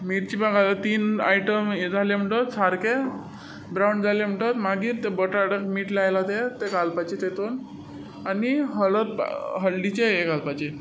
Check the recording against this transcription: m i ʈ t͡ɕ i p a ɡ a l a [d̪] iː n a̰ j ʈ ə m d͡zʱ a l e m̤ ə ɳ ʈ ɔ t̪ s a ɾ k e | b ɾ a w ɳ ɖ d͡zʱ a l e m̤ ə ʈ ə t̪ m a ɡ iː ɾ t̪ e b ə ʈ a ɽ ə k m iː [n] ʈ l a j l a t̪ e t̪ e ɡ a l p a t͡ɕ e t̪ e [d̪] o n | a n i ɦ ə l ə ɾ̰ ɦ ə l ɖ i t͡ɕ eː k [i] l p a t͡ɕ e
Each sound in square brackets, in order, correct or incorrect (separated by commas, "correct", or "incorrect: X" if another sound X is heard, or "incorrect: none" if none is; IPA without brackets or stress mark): incorrect: t̪, incorrect: none, incorrect: t̪, incorrect: a